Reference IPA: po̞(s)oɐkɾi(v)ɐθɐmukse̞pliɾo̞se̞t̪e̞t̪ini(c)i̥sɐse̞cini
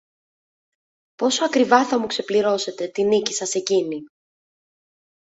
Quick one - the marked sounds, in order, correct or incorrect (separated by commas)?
correct, correct, correct